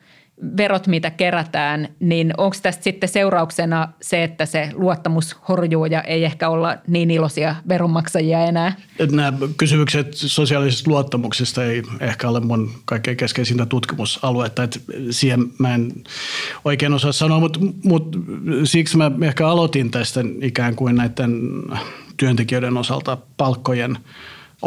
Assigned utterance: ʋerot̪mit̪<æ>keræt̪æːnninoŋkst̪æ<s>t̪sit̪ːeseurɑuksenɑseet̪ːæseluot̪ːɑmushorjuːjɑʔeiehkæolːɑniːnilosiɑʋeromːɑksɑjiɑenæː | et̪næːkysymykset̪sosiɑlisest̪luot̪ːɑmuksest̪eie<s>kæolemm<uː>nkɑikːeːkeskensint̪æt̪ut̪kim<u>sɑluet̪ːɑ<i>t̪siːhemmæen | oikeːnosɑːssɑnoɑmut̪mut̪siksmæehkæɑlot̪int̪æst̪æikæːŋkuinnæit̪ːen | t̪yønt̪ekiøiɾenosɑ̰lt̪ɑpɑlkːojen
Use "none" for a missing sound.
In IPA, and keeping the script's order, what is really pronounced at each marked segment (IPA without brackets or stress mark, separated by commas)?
æ, s, h, u, u, e